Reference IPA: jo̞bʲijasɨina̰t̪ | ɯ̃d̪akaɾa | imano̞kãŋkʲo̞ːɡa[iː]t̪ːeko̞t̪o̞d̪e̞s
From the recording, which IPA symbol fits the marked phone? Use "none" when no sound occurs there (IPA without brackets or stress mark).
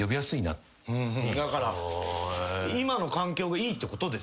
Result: iː